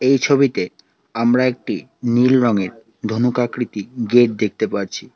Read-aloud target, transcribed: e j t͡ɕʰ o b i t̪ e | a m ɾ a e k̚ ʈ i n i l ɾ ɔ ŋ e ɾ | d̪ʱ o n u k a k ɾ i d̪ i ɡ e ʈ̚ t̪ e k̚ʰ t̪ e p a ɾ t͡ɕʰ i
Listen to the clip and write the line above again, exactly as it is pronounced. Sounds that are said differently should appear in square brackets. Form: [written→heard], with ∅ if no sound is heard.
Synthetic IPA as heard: e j t͡ɕʰ o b i t̪ e | a m ɾ a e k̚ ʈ i n i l ɾ ɔ ŋ e ɾ | d̪ʱ o n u k a k ɾ i [d̪→t̪] i ɡ e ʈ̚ [t̪→d̪] e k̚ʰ t̪ e p a ɾ t͡ɕʰ i